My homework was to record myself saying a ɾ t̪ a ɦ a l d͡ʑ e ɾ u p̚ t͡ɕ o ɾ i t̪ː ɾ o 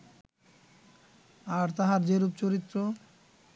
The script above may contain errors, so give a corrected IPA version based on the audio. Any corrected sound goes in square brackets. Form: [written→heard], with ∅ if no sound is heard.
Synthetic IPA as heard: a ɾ t̪ a ɦ a [l→ɾ] d͡ʑ e ɾ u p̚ t͡ɕ o ɾ i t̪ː ɾ o